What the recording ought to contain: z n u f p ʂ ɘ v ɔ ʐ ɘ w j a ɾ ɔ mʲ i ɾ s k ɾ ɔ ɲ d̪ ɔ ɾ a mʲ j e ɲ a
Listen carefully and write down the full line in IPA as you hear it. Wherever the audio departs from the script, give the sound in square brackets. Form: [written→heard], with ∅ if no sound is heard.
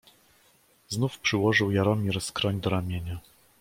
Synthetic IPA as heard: z n u f p ʂ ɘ [v→w] ɔ ʐ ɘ w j a ɾ ɔ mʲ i ɾ s k ɾ ɔ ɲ d̪ ɔ ɾ a mʲ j e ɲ a